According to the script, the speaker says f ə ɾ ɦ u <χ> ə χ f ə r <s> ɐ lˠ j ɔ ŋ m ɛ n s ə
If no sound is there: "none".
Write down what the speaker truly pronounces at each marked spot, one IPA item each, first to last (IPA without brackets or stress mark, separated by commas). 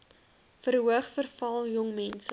none, f